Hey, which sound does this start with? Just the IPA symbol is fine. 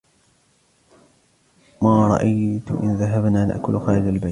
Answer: m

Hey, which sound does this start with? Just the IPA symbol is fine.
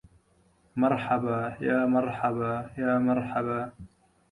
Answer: m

